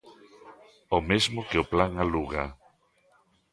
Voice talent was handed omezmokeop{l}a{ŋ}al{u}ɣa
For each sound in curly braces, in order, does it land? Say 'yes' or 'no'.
yes, yes, yes

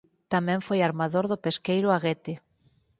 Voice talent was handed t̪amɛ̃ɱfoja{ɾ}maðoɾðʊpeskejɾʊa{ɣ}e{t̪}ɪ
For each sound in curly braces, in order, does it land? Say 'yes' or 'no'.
yes, yes, yes

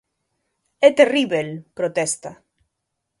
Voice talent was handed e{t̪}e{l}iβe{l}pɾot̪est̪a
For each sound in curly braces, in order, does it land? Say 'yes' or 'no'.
yes, no, yes

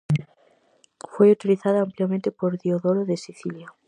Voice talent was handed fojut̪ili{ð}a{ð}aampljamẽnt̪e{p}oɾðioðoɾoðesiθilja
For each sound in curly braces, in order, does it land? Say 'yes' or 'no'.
no, yes, yes

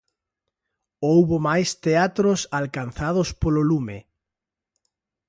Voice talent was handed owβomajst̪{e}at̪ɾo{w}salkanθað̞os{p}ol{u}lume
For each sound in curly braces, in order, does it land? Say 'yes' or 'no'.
yes, no, yes, no

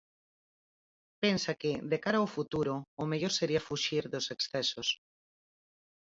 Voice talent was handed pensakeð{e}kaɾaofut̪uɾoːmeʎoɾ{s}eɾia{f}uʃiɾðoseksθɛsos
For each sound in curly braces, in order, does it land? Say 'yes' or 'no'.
yes, yes, yes

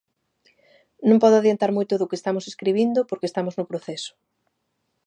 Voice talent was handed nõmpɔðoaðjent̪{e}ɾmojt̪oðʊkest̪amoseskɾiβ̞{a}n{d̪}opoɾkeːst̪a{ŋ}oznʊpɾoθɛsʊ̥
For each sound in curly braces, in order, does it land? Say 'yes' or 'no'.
no, no, yes, no

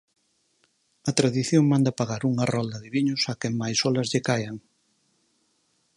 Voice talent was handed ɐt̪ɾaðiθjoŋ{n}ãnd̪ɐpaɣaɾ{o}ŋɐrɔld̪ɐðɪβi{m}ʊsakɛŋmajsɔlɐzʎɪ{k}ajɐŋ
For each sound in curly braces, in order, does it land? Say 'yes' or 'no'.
no, no, no, yes

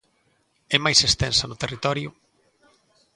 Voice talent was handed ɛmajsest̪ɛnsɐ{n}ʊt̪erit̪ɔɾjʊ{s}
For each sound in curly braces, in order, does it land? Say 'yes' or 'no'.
yes, no

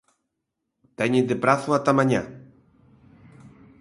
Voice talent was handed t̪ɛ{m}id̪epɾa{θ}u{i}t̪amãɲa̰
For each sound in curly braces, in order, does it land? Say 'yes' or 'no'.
no, yes, no

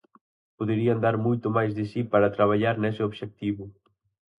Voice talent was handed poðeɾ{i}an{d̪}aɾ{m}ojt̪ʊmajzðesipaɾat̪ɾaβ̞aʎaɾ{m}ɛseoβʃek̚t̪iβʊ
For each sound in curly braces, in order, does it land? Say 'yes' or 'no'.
yes, yes, yes, no

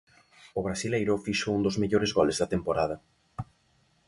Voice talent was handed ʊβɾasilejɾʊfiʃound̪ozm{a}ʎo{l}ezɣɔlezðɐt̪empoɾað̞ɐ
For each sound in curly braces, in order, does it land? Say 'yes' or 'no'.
no, no

